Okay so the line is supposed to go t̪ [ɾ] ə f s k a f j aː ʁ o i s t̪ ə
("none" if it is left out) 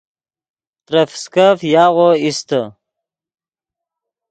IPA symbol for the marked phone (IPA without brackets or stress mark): ɾ